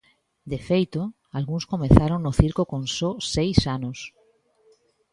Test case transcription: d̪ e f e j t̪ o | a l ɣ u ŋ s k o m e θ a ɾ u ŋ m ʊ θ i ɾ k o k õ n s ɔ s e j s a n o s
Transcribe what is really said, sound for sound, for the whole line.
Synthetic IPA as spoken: d̪ e f e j t̪ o | a l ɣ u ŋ s k o m e θ a ɾ o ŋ n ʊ θ i ɾ k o k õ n s ɔ s e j s a n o s

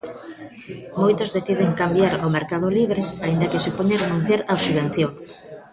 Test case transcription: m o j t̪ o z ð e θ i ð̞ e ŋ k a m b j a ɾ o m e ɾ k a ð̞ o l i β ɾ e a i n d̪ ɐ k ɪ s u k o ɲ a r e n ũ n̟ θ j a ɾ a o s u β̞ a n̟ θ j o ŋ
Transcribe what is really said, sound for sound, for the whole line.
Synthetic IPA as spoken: m o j t̪ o z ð e θ i ð̞ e ŋ k a m b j a ɾ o m e ɾ k a ð̞ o l i β ɾ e a i n d̪ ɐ k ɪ s u p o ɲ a r e n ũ n̟ θ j a ɾ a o s u β̞ e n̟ θ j o ŋ

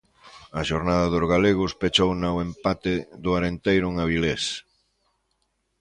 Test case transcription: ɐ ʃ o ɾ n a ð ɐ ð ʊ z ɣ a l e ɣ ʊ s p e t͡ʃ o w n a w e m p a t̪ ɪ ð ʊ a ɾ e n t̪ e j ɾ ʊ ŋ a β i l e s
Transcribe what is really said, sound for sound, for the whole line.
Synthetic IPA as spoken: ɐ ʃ o ɾ n a ð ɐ ð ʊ z ɣ a l e ɣ ʊ s p e t͡ʃ o w n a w e m p a t̪ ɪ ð ʊ a ɾ e n t̪ e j ɾ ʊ ŋ a β i l e s

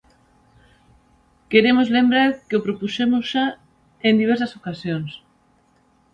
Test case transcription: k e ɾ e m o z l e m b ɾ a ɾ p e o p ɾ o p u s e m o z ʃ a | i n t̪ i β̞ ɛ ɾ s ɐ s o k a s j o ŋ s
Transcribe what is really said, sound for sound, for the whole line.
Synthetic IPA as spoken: k e ɾ e m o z l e m b ɾ a ɾ k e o p ɾ o p u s e m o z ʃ a | e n d̪ i β̞ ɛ ɾ s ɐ s o k a s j o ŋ s

